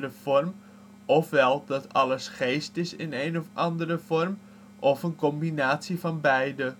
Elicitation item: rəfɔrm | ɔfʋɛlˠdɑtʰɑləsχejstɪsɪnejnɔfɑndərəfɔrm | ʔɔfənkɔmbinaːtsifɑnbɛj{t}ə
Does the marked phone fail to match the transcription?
yes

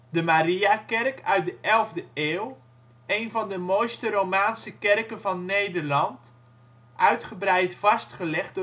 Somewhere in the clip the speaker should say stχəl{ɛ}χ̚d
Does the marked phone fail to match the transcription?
no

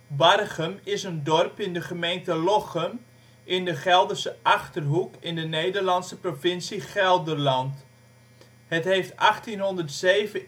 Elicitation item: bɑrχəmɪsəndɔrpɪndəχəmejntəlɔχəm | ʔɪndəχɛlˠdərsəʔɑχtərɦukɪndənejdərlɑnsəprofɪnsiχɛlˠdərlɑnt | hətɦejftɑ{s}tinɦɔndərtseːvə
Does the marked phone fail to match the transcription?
yes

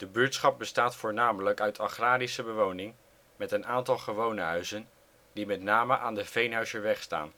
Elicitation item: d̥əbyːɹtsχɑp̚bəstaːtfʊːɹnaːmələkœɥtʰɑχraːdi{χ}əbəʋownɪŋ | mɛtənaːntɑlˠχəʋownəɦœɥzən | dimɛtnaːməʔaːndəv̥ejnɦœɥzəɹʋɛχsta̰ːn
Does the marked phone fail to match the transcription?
yes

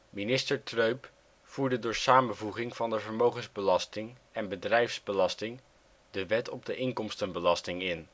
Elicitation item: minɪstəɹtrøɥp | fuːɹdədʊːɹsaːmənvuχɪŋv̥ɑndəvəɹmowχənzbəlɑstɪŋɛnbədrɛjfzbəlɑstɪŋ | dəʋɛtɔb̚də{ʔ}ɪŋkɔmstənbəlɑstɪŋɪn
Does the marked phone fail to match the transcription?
no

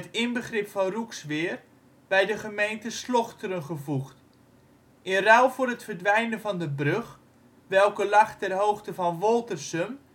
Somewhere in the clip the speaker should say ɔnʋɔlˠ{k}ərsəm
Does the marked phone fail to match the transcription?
yes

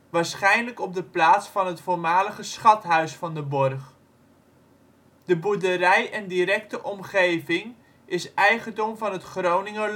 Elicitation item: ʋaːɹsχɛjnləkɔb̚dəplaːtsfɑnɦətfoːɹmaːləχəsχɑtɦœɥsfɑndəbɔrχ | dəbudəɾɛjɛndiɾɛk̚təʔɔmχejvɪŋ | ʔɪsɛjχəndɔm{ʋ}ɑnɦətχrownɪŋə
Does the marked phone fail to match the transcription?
yes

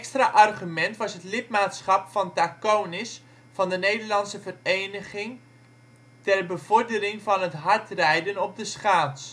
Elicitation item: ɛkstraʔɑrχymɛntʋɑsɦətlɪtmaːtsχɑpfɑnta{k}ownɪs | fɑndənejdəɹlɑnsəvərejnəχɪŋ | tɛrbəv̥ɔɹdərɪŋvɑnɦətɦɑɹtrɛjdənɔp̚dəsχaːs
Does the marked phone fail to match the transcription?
no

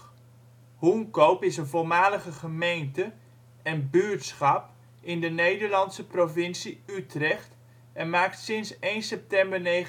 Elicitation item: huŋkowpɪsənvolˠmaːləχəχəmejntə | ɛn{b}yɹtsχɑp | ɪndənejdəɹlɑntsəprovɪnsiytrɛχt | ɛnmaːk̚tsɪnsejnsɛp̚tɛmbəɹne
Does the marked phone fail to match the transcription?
no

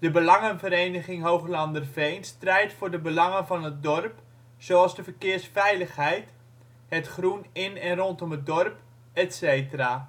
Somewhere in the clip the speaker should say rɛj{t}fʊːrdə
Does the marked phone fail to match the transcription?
no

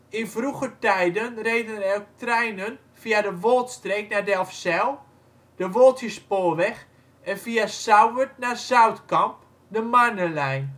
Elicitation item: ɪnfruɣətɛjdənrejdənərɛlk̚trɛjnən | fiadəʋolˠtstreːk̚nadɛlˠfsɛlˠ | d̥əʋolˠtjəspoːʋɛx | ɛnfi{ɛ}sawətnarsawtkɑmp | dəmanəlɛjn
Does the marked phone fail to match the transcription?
yes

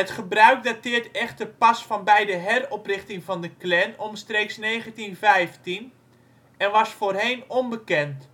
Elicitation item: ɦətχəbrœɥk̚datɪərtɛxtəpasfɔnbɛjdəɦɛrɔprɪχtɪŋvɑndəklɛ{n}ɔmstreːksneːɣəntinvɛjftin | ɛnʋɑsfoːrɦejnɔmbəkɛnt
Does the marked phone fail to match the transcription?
no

